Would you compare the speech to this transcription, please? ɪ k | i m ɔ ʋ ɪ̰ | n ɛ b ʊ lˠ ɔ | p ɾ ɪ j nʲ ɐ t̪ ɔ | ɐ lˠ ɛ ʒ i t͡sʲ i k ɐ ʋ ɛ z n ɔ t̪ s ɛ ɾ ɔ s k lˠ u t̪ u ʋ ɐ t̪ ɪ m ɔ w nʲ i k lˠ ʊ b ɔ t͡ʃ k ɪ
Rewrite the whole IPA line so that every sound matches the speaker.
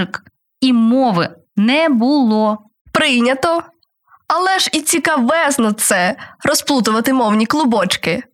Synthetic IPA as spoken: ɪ k | i m ɔ ʋ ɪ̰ | n ɛ b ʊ lˠ ɔ | p ɾ ɪ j nʲ ɐ t̪ ɔ | ɐ lˠ ɛ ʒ i t͡sʲ i k ɐ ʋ ɛ z n ɔ t̪ s ɛ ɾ ɔ s p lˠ u t̪ ʊ ʋ ɐ t̪ ɪ m ɔ w nʲ i k lˠ ʊ b ɔ t͡ʃ k ɪ